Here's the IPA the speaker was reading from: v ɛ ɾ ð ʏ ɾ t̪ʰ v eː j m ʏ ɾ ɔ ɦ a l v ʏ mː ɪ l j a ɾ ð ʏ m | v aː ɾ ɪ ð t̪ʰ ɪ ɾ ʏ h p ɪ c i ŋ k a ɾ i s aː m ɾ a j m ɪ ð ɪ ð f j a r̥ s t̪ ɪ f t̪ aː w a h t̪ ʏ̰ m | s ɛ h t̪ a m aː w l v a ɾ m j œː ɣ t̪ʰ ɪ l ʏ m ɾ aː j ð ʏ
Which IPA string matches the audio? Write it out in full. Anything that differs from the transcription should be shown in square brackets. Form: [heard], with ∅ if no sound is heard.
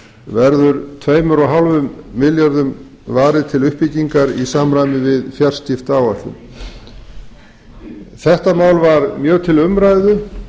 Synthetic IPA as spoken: v ɛ ɾ ð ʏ ɾ t̪ʰ v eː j m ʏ ɾ ɔ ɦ a l v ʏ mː ɪ l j a ɾ ð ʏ m | v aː ɾ ɪ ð t̪ʰ ɪ [l] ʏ h p ɪ c i ŋ k a ɾ i s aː m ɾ a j m ɪ [v] ɪ ð f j a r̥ s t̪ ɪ f t̪ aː w a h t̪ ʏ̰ m | [θ] ɛ h t̪ a m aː w l v a ɾ m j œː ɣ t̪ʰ ɪ l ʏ m ɾ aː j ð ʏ